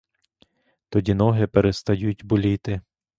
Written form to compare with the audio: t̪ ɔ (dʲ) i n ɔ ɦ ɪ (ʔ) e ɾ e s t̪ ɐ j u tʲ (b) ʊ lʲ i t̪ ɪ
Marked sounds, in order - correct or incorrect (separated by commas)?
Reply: correct, incorrect, correct